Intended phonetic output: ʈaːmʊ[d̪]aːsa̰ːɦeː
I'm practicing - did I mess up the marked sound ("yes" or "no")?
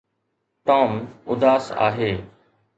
no